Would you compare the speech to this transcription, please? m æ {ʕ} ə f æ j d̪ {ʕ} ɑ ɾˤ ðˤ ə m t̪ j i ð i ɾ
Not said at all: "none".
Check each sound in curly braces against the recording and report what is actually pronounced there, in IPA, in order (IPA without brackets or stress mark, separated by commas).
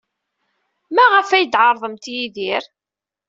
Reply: ʁ, ʕ